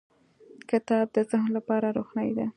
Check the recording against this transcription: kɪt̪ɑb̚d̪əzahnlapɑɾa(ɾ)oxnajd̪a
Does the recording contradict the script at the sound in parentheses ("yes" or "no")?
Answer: no